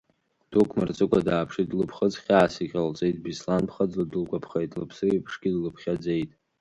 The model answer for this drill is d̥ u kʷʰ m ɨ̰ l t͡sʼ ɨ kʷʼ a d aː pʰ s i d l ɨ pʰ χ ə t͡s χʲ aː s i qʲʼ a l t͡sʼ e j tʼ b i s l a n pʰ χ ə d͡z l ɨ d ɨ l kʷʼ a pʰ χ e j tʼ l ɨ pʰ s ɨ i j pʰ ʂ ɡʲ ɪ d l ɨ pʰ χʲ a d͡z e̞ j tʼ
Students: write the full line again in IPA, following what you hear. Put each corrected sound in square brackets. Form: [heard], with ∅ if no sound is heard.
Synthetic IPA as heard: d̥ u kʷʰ m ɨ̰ [r] t͡sʼ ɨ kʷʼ a d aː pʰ [ʂ] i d l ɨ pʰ χ ə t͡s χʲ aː s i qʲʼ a l t͡sʼ e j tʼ b i s l a n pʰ χ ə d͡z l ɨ d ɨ l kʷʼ a pʰ χ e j tʼ l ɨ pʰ s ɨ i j pʰ ʂ ɡʲ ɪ d l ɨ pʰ χʲ a d͡z e̞ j tʼ